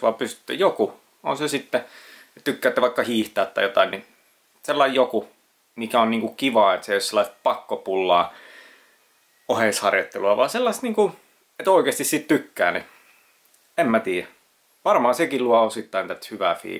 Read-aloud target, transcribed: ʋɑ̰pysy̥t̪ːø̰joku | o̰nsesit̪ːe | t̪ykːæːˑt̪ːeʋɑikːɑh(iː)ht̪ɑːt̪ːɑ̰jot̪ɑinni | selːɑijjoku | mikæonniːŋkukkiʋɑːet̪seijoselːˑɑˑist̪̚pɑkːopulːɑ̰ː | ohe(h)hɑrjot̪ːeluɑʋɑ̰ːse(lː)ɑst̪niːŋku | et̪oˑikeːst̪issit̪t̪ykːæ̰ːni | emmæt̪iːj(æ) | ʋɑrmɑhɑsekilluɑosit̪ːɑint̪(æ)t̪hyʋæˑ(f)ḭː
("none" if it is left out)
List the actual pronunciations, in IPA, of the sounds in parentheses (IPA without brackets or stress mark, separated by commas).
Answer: iː, s, lː, æ, æ, f